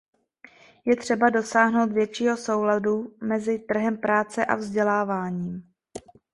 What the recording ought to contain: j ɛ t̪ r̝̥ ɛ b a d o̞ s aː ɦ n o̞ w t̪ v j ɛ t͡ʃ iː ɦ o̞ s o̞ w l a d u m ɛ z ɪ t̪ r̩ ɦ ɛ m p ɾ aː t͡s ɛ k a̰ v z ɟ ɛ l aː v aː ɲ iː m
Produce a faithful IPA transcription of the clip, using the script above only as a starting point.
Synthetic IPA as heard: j ɛ t̪ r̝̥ ɛ b a d o̞ s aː ɦ n o̞ w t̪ v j ɛ t͡ʃ iː ɦ o̞ s o̞ w l a d u m ɛ z ɪ t̪ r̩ ɦ ɛ m p ɾ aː t͡s ɛ ʔ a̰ v z ɟ ɛ l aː v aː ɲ iː m